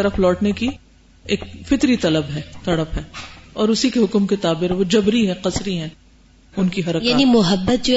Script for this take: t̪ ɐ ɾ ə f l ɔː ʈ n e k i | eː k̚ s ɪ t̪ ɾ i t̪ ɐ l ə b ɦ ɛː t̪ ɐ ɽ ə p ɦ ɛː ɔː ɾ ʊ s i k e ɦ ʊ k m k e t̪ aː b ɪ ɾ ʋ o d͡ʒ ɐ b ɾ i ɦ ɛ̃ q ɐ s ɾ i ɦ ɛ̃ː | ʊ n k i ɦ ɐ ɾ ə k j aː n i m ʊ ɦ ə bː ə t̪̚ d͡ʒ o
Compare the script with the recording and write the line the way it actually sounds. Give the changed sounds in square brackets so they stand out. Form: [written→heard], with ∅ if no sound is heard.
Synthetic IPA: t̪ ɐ ɾ ə f l ɔː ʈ n e k i | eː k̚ [s→f] ɪ t̪ ɾ i t̪ ɐ l ə b ɦ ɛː t̪ ɐ ɽ ə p ɦ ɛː ɔː ɾ ʊ s i k e ɦ ʊ k m k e t̪ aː b ɪ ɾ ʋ o d͡ʒ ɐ b ɾ i ɦ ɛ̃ q ɐ s ɾ i ɦ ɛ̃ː | ʊ n k i ɦ ɐ ɾ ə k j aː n i m ʊ ɦ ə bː ə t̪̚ d͡ʒ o